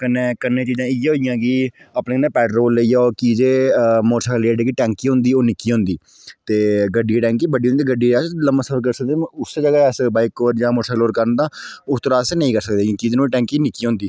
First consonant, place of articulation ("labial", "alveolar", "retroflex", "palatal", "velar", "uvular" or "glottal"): velar